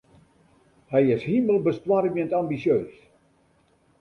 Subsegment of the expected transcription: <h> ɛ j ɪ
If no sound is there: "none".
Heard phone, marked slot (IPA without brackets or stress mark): h